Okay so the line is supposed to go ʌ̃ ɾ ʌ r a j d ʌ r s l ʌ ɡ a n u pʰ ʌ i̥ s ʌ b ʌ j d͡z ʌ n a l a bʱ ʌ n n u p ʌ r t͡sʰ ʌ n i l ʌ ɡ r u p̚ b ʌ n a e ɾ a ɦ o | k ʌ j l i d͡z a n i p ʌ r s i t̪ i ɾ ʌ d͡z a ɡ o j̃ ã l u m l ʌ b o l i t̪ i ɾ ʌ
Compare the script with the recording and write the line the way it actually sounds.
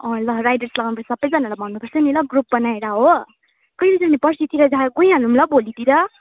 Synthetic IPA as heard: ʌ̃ l ʌ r a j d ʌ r s l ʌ ɡ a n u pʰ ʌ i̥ s ʌ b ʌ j d͡z ʌ n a l a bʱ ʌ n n u p ʌ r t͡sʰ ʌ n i l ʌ ɡ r u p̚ b ʌ n a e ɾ a ɦ o | k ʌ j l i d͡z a n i p ʌ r s i t̪ i ɾ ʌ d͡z a ɡ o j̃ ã l u m l ʌ b o l i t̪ i ɾ ʌ

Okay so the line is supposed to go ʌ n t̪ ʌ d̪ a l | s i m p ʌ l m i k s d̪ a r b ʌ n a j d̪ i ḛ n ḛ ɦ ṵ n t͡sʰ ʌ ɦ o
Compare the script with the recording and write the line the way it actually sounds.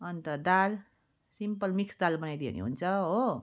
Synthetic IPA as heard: ʌ n t̪ ʌ d̪ a l | s i m p ʌ l m i k s d̪ a l b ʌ n a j d̪ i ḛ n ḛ ɦ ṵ n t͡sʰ ʌ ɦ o

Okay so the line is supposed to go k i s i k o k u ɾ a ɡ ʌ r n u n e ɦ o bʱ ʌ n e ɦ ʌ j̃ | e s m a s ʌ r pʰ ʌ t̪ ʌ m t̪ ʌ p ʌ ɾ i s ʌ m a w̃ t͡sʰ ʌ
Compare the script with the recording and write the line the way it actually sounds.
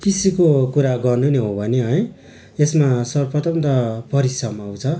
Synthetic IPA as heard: k i s i k o k u ɾ a ɡ ʌ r n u n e ɦ o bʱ ʌ n e ɦ ʌ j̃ | e s m a s ʌ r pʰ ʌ t̪ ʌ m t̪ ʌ p ʌ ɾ i s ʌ m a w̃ t͡sʰ ʌ

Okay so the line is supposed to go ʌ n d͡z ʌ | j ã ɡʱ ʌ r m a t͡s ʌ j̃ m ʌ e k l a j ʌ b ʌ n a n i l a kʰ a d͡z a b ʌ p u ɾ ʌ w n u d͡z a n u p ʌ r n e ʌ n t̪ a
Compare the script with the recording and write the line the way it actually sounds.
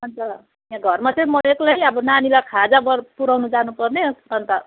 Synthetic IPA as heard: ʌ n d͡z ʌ | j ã ɡʱ ʌ r m a t͡s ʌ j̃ m ʌ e k l a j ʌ b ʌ n a n i l a kʰ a d͡z a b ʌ p u ɾ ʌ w n u d͡z a n u p ʌ r n e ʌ n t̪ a

